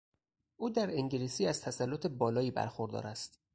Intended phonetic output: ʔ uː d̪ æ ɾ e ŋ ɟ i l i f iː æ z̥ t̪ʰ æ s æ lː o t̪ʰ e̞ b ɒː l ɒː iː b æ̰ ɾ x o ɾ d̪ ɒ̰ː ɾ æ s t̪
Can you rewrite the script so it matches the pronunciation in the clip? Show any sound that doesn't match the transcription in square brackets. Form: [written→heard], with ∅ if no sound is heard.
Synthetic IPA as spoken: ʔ uː d̪ æ ɾ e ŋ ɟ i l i [f→s] iː æ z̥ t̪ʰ æ s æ lː o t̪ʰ e̞ b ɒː l ɒː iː b æ̰ ɾ x o ɾ d̪ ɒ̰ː ɾ æ s t̪